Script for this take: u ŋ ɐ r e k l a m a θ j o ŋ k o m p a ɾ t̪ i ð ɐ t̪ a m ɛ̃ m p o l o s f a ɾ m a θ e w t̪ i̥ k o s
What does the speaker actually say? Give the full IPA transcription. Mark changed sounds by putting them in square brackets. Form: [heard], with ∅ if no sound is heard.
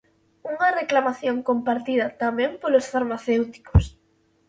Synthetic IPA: u ŋ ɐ r e k l a m a θ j o ŋ k o m p a ɾ t̪ i ð ɐ t̪ a m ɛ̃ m p o l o s f a ɾ m a θ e w t̪ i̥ k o s